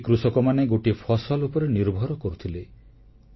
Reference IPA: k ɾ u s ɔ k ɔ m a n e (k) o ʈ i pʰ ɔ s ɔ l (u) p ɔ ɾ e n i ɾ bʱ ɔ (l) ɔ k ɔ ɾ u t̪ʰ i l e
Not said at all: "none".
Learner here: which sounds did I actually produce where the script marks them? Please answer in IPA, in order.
ɡ, u, ɾ

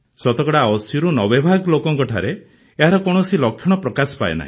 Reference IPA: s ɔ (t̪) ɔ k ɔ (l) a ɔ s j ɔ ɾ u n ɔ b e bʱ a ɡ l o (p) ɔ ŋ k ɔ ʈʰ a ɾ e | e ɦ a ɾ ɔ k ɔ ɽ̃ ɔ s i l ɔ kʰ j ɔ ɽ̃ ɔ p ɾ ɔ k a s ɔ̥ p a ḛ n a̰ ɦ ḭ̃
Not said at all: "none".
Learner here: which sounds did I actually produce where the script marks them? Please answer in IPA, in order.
t̪, ɽ, k

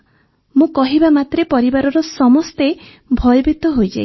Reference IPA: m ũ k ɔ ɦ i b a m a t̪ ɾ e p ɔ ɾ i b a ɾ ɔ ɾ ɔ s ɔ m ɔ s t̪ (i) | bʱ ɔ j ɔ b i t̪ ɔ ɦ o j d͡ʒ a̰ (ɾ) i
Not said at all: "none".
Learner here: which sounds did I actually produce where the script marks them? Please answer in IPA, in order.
e, none

